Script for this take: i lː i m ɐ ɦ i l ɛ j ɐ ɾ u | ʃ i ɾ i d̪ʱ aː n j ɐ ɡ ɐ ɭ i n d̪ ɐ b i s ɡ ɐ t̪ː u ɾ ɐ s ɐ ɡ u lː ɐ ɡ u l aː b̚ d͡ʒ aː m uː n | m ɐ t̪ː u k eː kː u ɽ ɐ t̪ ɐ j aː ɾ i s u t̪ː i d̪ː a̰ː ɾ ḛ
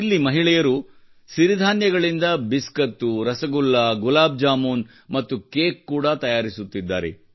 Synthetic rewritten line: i lː i m ɐ ɦ i ɭ ɛ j ɐ ɾ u | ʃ i ɾ i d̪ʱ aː n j ɐ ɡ ɐ ɭ i n d̪ ɐ b i s k ɐ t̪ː u ɾ ɐ s ɐ ɡ u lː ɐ ɡ u l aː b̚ d͡ʒ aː m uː n | m ɐ t̪ː u k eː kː uː ɽ ɐ t̪ ɐ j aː ɾ i s u t̪ː i d̪ː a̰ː ɾ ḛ